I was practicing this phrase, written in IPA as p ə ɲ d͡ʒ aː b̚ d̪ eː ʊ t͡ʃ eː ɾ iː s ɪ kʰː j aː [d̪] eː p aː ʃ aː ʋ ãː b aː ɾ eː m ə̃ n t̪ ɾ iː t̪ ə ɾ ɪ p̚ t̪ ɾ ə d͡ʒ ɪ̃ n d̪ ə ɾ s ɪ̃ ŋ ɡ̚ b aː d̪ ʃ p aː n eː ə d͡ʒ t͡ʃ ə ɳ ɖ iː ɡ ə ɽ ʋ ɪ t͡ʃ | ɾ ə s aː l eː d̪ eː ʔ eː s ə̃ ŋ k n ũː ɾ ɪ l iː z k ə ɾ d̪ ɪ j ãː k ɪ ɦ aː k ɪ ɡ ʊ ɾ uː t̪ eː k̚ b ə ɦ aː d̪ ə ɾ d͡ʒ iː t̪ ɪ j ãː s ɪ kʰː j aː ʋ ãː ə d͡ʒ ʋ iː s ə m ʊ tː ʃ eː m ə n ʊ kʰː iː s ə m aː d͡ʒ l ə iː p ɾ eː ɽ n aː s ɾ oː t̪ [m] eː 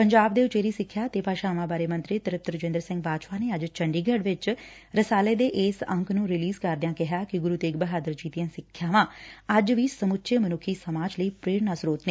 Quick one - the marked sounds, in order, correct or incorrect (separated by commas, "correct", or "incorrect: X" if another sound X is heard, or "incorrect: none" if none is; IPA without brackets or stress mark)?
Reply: incorrect: t̪, incorrect: n